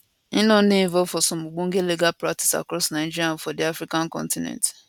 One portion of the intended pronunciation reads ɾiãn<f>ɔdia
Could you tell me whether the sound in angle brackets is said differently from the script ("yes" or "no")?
no